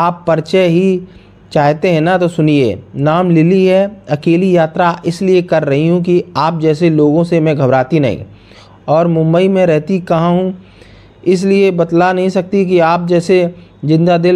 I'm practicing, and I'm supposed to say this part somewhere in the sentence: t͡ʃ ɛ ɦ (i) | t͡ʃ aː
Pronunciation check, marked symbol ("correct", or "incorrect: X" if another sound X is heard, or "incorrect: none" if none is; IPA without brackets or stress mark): correct